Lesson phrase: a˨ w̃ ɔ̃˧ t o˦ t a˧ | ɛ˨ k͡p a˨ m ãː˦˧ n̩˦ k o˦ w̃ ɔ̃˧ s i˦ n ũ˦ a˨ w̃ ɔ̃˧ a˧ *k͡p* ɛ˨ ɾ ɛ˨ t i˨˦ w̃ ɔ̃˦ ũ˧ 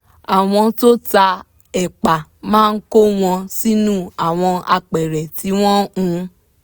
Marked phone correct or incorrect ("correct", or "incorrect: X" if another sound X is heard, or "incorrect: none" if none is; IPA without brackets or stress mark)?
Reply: correct